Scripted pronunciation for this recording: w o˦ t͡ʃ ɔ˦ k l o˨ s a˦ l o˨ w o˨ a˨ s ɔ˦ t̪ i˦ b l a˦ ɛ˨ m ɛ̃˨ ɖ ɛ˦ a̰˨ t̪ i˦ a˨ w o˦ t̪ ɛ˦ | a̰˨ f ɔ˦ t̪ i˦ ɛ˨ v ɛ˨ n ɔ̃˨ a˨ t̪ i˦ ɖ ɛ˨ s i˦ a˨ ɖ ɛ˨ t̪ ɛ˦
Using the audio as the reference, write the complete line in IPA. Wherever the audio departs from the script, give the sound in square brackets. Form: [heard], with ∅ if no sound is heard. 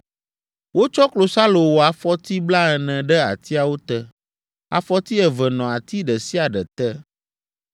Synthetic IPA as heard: w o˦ t͡ʃ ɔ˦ k l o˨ s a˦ l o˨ w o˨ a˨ [f] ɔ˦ t̪ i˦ b l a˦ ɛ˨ [n] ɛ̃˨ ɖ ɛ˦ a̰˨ t̪ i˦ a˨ w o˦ t̪ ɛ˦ | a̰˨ f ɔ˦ t̪ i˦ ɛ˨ v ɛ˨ n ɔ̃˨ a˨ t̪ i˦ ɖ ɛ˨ s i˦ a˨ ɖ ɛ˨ t̪ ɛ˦